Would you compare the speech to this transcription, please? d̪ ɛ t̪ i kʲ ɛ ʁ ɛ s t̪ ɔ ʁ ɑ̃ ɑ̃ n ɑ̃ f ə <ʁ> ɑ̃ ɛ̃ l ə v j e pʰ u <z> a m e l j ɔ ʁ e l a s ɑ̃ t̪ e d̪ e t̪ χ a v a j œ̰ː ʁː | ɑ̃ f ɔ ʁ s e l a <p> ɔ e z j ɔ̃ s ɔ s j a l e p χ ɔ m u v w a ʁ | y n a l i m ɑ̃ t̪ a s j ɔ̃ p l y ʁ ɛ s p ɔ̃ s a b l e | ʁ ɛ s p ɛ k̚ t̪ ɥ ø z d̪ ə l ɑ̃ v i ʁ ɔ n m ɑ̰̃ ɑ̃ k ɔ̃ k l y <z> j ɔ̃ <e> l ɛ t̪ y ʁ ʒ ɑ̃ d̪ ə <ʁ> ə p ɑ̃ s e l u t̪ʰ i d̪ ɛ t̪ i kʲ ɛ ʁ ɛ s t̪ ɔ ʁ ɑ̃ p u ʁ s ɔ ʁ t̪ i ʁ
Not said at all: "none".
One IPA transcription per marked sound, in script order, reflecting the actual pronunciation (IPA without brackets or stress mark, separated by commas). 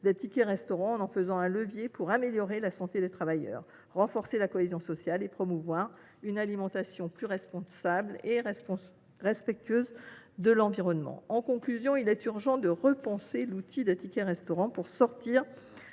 z, ʁ, k, z, i, ʁ